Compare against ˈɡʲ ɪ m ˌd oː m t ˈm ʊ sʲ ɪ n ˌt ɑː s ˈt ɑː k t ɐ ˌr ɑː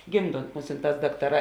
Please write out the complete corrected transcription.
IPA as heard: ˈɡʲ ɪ m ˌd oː n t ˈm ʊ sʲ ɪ n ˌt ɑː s ˈd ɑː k t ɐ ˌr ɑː